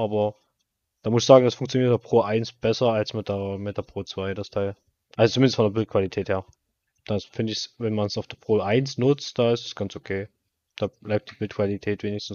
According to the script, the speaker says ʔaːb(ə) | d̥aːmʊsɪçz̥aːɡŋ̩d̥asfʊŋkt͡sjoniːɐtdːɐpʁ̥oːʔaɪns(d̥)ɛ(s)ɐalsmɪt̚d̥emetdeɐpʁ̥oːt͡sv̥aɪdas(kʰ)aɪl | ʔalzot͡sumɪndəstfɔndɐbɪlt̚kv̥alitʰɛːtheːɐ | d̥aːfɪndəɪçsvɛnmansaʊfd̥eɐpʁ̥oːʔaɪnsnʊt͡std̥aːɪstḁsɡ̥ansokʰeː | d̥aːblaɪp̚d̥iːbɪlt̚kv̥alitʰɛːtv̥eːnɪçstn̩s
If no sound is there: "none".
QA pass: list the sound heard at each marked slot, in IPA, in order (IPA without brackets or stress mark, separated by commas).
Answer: ɐ, b̥, s, tʰ